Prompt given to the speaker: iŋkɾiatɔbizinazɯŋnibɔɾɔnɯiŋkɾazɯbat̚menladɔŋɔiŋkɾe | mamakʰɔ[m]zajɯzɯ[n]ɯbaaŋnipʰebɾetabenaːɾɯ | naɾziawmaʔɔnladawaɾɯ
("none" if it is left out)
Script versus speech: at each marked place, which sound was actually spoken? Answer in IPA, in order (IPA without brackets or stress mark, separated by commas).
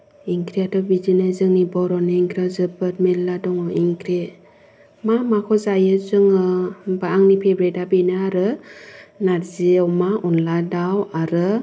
none, ŋ